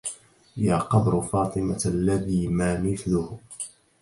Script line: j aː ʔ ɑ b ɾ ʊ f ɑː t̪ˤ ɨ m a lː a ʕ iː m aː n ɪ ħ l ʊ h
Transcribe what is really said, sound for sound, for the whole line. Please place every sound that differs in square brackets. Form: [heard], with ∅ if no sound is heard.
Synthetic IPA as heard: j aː [q] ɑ b ɾ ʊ f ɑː t̪ˤ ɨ m a lː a [ð] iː m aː [m] ɪ [θ] l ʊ h